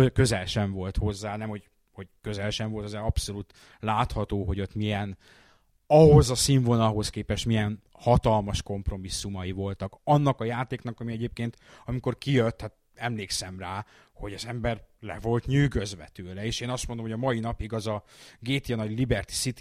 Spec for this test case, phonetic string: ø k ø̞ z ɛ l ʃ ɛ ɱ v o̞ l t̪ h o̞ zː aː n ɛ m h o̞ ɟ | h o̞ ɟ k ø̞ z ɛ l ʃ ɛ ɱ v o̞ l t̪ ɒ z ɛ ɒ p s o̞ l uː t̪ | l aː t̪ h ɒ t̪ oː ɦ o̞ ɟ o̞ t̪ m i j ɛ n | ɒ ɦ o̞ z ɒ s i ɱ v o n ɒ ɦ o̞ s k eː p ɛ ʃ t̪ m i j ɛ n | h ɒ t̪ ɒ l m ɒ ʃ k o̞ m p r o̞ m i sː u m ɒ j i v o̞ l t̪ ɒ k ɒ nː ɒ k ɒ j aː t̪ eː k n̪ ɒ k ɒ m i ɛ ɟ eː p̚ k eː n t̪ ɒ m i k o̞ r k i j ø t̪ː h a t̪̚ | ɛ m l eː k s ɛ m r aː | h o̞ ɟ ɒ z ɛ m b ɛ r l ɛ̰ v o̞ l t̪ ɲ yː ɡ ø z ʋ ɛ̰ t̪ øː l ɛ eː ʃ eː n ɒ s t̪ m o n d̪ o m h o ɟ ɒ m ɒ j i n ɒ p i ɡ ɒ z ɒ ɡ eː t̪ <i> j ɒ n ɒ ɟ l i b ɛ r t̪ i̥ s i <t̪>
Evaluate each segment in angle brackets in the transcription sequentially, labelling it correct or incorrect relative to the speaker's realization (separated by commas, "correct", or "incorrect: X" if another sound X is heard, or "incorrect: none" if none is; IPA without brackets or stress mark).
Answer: correct, correct